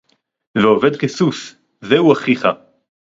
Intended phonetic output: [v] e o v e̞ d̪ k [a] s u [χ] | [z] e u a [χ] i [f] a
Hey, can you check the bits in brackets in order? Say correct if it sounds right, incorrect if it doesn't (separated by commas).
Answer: correct, incorrect, incorrect, correct, correct, incorrect